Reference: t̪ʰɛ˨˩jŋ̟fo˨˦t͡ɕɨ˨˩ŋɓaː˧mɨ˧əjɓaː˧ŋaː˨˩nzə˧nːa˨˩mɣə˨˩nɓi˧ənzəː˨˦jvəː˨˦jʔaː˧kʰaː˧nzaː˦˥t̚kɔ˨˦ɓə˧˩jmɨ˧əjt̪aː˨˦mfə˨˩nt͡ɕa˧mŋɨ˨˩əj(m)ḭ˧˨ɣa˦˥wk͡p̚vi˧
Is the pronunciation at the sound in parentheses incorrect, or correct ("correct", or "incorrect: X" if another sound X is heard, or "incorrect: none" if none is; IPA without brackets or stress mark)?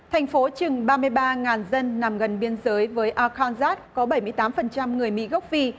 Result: correct